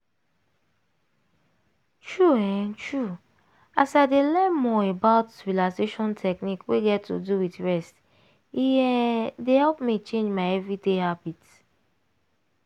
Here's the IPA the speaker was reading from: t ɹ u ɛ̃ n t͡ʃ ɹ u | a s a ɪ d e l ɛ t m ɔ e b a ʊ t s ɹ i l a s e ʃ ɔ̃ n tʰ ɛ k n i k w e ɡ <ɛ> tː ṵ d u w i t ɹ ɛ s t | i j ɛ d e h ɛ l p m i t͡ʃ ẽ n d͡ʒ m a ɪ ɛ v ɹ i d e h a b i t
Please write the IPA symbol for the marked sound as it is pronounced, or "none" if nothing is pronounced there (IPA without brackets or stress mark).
ɛ